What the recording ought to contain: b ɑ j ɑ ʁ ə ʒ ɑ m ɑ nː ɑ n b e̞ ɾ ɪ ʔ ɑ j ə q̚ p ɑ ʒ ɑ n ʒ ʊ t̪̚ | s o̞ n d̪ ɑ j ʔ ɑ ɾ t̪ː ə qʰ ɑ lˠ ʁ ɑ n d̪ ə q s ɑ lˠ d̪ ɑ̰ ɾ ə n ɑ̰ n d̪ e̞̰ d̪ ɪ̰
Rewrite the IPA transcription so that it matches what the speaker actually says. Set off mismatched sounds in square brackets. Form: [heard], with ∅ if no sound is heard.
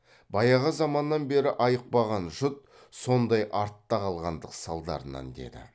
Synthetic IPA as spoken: b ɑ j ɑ ʁ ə [z] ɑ m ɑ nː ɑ n b e̞ ɾ ɪ ʔ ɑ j ə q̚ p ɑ [ʁ] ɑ n ʒ ʊ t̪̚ | s o̞ n d̪ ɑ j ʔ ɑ ɾ t̪ː [ɑ] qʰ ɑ lˠ ʁ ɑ n d̪ ə q s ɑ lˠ d̪ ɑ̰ ɾ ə n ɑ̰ n d̪ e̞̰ d̪ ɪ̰

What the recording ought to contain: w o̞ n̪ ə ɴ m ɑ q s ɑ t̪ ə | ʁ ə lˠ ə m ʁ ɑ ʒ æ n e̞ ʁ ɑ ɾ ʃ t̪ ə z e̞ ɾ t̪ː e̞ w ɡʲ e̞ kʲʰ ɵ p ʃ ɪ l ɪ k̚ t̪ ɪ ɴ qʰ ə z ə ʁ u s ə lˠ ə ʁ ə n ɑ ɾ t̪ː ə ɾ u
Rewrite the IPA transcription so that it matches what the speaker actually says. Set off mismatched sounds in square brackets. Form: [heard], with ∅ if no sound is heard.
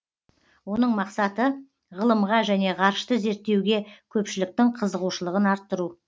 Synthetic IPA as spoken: w o̞ n̪ ə ɴ m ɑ q s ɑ t̪ ə | ʁ ə lˠ ə m ʁ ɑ ʒ æ n e̞ ʁ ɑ ɾ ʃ t̪ ə z e̞ ɾ t̪ː e̞ w ɡʲ e̞ kʲʰ ɵ p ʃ ɪ l ɪ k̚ t̪ ɪ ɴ qʰ ə z ə ʁ u [ʃ] ə lˠ ə ʁ ə n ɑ ɾ t̪ː ə ɾ u

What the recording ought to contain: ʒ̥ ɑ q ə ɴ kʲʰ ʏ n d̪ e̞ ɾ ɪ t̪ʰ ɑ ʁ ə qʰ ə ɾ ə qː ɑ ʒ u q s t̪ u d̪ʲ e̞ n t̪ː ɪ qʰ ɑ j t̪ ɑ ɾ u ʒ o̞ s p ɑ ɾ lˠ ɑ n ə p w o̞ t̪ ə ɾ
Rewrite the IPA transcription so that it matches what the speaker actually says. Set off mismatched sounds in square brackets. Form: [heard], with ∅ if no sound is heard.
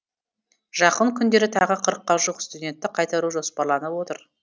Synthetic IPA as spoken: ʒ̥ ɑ q ə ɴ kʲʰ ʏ n d̪ e̞ ɾ ɪ t̪ʰ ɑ ʁ ə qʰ ə ɾ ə qː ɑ ʒ u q s t̪ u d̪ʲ e̞ n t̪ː ɪ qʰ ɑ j t̪ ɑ ɾ u ʒ o̞ s p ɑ ɾ lˠ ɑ n ə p w o̞ t̪ ə ɾ

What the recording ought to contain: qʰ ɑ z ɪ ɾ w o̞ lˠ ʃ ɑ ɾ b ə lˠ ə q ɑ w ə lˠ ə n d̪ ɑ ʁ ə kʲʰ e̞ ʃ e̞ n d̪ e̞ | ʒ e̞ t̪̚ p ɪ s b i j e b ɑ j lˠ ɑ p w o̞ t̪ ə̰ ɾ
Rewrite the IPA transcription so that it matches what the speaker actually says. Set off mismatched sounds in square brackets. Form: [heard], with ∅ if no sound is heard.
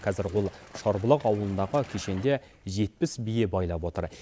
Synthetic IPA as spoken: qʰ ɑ z ɪ ɾ w o̞ lˠ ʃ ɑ ɾ b ə lˠ ə q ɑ w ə lˠ ə n d̪ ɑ ʁ ə kʲʰ e̞ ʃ e̞ n d̪ e̞ | ʒ e̞ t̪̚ p ɪ s b i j e b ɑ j lˠ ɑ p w o̞ t̪ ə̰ ɾ

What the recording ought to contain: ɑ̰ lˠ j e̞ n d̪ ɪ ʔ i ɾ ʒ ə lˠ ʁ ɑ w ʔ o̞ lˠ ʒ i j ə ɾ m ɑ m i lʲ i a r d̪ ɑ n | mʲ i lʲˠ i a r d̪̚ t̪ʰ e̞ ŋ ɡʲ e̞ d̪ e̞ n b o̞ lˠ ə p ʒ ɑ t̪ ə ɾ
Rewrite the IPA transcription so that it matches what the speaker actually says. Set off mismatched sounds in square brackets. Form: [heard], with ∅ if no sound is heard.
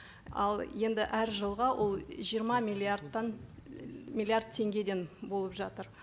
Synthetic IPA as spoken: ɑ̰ lˠ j e̞ n d̪ ɪ ʔ [æ] ɾ ʒ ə lˠ ʁ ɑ w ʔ o̞ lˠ ʒ i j ə ɾ m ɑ m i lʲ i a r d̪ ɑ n | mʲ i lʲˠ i a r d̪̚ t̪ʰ e̞ ŋ ɡʲ e̞ d̪ e̞ n b o̞ lˠ ə p ʒ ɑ t̪ ə ɾ

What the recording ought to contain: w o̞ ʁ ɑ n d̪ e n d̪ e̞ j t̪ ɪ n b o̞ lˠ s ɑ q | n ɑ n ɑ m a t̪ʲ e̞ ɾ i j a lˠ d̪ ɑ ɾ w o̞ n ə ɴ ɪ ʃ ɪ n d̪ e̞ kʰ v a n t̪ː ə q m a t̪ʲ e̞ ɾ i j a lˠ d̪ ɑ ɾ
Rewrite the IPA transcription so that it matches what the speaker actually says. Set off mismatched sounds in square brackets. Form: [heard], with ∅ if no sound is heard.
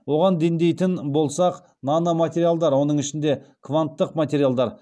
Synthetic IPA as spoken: w o̞ ʁ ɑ n d̪ e n d̪ e̞ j t̪ ɪ n b o̞ lˠ s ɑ q | n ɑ n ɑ m a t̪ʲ e̞ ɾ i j a lˠ d̪ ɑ ɾ w o̞ n ə ɴ ɪ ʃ ɪ n d̪ e̞ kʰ v a n t̪ː ə q m a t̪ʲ e̞ ɾ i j a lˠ d̪ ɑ ɾ

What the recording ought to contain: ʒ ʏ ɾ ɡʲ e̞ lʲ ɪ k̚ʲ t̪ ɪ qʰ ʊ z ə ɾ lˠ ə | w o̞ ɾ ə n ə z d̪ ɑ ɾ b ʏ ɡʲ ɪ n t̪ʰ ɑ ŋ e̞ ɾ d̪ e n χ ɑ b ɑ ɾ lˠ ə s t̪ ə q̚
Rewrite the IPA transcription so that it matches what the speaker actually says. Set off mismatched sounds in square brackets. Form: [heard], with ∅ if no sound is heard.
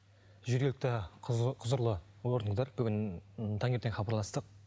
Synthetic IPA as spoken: ʒ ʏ ɾ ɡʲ e̞ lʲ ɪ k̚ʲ t̪ ɪ qʰ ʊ z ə ɾ lˠ ə | w o̞ ɾ ə n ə z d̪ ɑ ɾ b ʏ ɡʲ ɪ n t̪ʰ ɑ ŋ e̞ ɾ [t̪] e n χ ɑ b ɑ ɾ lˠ [ɑ] s t̪ ə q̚

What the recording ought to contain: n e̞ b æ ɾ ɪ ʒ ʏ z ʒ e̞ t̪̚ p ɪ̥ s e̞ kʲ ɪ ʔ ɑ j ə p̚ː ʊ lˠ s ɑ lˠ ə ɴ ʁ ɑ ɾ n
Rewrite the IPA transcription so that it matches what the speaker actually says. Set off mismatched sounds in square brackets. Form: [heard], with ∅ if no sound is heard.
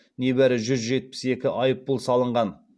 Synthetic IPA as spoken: n e̞ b æ ɾ ɪ ʒ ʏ z ʒ e̞ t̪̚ p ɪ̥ s e̞ kʲ ɪ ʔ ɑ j ə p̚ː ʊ lˠ s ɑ lˠ ə ɴ ʁ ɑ [∅] n

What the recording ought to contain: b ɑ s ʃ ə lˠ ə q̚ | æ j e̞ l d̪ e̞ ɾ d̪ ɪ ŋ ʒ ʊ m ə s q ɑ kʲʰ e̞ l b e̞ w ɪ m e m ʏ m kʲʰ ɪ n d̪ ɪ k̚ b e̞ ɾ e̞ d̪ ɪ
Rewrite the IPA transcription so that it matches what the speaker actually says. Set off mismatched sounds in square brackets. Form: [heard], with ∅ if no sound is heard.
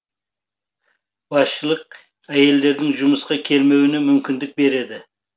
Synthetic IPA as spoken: b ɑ s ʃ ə lˠ ə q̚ | æ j e̞ l d̪ e̞ ɾ d̪ ɪ ŋ ʒ ʊ m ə s q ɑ kʲʰ e̞ l [m] e̞ w ɪ [n] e m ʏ m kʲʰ ɪ n d̪ ɪ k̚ b e̞ ɾ e̞ d̪ ɪ

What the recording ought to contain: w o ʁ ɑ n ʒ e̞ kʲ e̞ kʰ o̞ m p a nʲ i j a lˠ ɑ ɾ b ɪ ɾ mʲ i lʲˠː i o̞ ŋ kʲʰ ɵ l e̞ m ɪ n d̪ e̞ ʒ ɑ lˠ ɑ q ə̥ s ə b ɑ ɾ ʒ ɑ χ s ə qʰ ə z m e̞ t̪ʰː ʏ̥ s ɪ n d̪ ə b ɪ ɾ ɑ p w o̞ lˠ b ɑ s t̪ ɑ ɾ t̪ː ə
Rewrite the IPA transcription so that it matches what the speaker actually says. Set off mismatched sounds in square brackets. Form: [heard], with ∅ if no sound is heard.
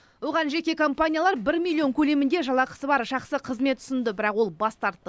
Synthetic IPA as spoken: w o ʁ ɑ n ʒ e̞ kʲ e̞ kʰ o̞ m p a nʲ i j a lˠ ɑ ɾ b ɪ ɾ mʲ i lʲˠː i o̞ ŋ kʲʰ ɵ l e̞ m ɪ n d̪ e̞ ʒ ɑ lˠ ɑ q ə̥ s ə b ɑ ɾ ʒ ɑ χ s ə qʰ ə z m e̞ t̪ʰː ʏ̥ s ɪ n d̪ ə b ɪ ɾ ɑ [q] w o̞ lˠ b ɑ s t̪ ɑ ɾ t̪ː ə

